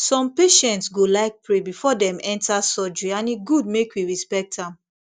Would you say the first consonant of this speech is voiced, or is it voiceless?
voiceless